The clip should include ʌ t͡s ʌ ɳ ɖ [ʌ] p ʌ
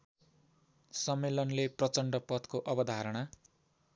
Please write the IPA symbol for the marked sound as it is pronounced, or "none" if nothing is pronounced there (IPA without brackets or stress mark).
ʌ